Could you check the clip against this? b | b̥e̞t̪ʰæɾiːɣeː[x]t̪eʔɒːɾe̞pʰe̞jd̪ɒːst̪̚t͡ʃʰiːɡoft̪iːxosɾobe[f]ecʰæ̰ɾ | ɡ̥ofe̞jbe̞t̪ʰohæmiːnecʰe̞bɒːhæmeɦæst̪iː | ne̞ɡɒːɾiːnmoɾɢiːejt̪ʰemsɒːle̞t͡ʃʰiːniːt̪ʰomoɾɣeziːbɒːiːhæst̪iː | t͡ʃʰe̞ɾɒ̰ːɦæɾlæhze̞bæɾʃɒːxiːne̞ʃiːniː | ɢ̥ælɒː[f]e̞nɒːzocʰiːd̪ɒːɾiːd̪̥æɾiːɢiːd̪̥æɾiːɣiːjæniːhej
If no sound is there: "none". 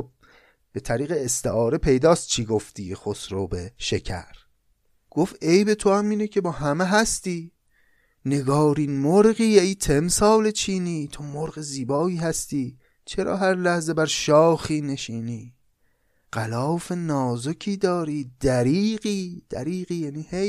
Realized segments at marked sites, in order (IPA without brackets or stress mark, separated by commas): s, ʃ, f